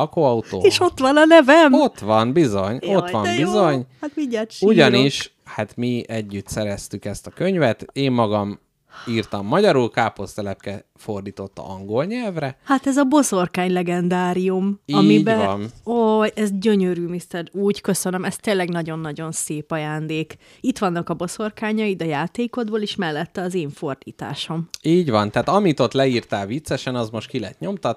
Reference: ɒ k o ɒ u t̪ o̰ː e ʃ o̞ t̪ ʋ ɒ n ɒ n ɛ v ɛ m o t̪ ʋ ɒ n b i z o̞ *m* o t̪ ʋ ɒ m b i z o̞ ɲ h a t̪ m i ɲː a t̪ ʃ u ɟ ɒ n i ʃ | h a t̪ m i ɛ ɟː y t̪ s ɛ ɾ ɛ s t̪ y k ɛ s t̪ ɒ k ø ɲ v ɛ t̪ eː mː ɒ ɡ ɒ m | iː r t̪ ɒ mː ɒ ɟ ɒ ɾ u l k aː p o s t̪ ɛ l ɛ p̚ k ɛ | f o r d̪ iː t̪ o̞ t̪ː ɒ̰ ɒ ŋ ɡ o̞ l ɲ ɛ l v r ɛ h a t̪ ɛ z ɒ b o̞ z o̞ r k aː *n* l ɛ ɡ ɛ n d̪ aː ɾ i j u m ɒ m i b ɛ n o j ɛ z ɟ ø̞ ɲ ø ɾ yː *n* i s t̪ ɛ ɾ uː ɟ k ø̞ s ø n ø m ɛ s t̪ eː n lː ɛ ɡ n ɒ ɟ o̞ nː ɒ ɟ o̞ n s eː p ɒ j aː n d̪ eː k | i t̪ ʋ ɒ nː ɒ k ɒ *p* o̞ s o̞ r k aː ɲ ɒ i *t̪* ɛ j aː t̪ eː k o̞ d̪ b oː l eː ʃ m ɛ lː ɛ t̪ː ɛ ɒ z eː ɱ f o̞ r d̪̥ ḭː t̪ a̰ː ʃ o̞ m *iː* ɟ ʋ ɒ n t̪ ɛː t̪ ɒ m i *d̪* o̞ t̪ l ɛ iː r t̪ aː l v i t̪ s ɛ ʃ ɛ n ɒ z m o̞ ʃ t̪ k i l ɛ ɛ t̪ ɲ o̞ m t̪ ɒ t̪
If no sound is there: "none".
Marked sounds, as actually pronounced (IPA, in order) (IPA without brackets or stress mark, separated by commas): ɲ, ɲ, m, b, d̪, iː, t̪